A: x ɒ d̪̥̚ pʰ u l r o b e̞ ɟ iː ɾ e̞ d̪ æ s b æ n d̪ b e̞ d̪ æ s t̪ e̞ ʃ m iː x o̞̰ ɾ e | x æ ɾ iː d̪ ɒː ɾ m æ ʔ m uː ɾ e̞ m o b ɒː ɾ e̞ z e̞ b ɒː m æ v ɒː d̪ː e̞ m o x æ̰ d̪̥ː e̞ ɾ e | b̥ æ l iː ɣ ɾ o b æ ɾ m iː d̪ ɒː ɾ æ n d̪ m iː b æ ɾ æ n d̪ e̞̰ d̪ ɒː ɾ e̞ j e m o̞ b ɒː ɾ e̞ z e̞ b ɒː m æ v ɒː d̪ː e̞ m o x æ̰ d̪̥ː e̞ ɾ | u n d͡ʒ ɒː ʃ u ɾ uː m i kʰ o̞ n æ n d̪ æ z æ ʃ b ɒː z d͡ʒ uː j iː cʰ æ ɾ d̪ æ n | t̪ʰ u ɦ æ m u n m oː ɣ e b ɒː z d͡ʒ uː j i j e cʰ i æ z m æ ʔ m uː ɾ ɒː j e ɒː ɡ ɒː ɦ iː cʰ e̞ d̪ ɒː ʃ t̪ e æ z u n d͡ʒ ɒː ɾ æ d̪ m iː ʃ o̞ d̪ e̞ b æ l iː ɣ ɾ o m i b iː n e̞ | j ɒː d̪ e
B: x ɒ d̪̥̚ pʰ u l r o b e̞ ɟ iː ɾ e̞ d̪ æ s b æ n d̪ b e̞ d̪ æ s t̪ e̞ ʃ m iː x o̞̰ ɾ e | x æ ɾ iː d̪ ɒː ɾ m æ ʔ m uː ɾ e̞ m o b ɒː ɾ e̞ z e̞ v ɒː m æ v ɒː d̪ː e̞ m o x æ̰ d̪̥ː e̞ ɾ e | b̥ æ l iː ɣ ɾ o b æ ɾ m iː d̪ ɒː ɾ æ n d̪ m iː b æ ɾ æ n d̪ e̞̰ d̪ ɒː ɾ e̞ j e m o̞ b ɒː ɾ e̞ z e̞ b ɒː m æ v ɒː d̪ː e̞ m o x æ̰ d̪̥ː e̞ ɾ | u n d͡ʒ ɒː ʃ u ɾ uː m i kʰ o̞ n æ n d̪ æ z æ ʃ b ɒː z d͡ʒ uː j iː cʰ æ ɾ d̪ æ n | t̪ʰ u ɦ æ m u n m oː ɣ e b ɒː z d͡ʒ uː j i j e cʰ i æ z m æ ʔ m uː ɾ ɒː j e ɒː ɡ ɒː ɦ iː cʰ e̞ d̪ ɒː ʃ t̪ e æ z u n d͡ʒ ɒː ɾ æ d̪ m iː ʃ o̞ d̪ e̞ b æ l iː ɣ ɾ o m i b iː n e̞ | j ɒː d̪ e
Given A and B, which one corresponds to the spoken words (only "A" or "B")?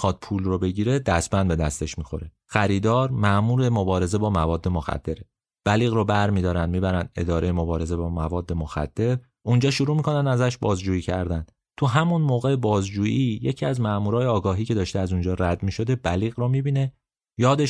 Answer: A